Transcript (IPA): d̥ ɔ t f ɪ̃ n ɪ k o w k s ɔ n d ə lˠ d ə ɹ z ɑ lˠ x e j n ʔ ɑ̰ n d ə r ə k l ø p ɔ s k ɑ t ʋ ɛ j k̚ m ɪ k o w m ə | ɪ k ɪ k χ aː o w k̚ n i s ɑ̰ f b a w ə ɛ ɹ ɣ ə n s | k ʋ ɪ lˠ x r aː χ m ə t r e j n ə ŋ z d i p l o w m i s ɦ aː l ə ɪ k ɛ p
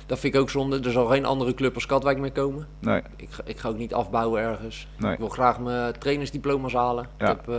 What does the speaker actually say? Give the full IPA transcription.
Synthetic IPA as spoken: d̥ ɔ t f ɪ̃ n ɪ k o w k s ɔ n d ə d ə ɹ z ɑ lˠ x e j n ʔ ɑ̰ n d ə r ə k l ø p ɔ s k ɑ t ʋ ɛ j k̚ m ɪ k o w m ə | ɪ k ɪ k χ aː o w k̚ n i t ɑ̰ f b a w ə ɛ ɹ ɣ ə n s | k ʋ ɪ lˠ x r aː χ m ə t r e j n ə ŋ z d i p l o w m a s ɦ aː l ə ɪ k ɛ p